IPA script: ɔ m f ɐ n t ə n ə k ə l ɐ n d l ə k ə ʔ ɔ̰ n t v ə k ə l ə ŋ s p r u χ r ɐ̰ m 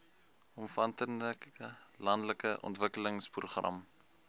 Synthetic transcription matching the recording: ɔ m f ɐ n t ə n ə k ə l ɐ n d l ə k ə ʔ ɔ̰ n t v ə k ə l ə ŋ s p r u χ r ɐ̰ m